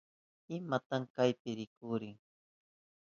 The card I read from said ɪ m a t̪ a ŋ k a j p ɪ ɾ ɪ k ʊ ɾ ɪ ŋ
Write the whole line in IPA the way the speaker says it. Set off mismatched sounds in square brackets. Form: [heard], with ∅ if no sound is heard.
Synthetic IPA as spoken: ɪ m a t̪ a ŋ k a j p ɪ ɾ ɪ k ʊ ɾ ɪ ŋ